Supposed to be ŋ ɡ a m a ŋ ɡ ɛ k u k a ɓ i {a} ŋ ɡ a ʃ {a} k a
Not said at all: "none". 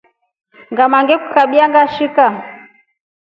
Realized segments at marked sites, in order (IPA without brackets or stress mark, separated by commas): a, i